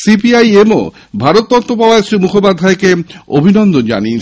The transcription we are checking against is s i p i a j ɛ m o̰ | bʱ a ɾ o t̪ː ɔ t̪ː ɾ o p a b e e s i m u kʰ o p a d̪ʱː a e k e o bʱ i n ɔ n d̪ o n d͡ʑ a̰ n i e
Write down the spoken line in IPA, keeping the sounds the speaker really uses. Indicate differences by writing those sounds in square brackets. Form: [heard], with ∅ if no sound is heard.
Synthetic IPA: s i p i a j [e] m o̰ | bʱ a ɾ o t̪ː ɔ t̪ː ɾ o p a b [a] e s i m u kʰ o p a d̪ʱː a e k e o bʱ i n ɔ n d̪ o n d͡ʑ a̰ n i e